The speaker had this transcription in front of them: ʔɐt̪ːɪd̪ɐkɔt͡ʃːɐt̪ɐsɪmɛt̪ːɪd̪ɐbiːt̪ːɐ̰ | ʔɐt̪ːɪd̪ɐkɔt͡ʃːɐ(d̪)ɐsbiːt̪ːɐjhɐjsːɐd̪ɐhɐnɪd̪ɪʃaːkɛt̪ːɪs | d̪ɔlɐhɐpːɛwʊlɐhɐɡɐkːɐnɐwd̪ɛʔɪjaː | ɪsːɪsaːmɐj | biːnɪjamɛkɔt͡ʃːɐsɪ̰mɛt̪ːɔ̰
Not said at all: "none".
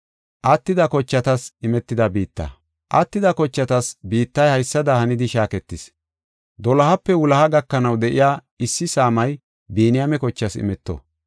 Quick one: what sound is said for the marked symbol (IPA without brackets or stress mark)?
t̪